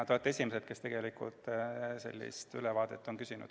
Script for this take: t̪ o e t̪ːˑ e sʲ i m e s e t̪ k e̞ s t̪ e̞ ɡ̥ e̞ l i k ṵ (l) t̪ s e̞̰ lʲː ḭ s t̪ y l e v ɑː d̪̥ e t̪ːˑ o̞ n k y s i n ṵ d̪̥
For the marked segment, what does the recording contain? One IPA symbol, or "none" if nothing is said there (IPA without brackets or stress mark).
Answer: l